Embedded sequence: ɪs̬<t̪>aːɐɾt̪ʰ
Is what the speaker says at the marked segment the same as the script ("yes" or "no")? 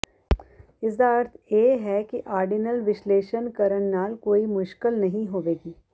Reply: no